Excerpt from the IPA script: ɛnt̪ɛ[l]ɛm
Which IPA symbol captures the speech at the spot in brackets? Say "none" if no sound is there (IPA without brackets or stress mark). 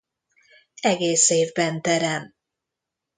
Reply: ɾ